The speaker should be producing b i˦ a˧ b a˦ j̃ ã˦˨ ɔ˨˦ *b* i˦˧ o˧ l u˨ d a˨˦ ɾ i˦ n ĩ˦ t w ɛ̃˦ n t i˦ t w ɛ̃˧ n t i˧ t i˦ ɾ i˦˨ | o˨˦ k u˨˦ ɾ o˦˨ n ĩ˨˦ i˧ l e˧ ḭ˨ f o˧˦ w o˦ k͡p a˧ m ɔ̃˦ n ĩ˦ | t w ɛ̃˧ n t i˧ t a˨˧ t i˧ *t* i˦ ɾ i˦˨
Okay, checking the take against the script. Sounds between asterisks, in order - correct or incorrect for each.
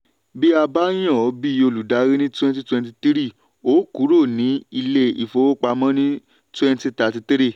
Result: correct, correct

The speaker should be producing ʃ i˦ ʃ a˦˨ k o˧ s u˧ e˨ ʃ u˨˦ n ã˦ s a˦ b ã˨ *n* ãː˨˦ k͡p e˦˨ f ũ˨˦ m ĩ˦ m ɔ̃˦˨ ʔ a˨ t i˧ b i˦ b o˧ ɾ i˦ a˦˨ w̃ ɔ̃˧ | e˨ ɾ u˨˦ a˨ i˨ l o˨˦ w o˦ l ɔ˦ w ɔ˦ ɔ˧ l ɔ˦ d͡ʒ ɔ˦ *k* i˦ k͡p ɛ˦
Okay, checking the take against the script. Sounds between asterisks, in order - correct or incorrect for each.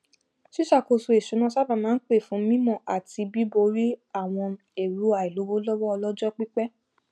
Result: incorrect: m, incorrect: k͡p

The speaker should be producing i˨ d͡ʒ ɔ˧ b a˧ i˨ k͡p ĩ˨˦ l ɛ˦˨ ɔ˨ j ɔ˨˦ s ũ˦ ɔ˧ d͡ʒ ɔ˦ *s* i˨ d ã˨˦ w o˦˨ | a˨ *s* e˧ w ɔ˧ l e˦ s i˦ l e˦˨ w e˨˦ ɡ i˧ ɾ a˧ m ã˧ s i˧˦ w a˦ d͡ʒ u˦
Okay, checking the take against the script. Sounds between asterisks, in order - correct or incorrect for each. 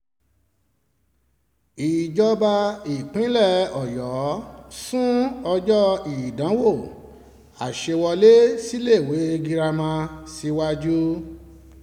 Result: incorrect: none, incorrect: ʃ

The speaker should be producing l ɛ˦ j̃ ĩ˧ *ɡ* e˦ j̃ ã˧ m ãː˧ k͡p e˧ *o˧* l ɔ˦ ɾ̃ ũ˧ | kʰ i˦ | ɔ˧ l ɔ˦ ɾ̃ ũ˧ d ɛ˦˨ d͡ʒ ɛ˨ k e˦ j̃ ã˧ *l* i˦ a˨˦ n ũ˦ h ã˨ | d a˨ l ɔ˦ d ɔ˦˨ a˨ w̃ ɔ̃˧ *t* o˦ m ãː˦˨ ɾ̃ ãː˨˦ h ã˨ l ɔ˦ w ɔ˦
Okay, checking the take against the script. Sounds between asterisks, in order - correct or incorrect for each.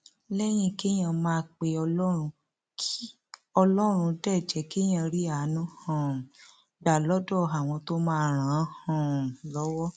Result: incorrect: k, incorrect: ɔ˧, incorrect: ɾ, correct

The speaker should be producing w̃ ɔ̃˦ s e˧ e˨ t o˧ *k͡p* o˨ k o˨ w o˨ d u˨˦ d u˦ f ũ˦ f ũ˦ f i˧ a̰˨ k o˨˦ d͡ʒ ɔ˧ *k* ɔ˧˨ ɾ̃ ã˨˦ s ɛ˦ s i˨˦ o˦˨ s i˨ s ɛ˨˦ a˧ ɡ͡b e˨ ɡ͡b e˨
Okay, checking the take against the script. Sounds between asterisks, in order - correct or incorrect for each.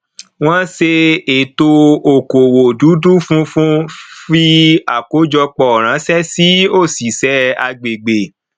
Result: incorrect: none, incorrect: k͡p

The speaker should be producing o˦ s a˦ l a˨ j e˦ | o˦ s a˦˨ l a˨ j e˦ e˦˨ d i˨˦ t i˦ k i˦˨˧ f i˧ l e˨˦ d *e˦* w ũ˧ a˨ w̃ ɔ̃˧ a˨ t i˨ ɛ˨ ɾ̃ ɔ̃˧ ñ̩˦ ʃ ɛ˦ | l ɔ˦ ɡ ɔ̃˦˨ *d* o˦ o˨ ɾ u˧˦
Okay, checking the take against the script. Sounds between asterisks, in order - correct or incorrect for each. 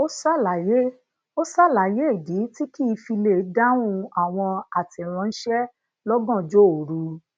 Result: incorrect: a˦, incorrect: d͡ʒ

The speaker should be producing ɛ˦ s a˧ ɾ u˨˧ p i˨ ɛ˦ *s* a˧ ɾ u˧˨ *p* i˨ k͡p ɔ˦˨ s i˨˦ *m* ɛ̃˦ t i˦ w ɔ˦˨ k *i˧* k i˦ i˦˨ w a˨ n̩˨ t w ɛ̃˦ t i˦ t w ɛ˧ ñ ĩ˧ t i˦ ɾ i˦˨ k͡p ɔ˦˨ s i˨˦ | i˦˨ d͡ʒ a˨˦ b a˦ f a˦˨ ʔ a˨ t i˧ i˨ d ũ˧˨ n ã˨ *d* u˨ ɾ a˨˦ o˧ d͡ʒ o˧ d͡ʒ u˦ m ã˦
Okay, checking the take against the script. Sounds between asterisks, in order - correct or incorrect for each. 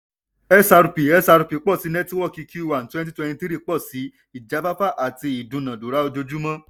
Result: correct, correct, incorrect: n, correct, correct

